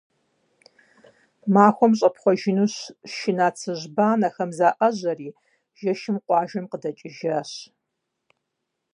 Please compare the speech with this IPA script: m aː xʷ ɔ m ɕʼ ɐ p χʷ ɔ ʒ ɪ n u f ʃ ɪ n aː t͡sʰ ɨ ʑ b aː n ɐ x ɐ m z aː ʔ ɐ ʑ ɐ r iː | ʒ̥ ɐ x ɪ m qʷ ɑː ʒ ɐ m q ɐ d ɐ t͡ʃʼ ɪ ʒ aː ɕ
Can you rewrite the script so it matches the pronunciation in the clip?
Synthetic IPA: m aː xʷ ɔ m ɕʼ ɐ p χʷ ɔ ʒ ɪ n u ɕ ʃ ɪ n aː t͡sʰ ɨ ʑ b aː n ɐ x ɐ m z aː ʔ ɐ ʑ ɐ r iː | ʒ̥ ɐ ʃ ɪ m qʷ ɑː ʒ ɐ m q ə d ɐ t͡ʃʼ ɪ ʒ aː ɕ